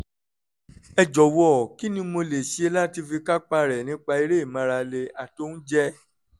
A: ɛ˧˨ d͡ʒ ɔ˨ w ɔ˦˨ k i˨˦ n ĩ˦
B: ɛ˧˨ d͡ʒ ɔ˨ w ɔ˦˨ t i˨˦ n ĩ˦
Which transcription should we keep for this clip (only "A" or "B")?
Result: A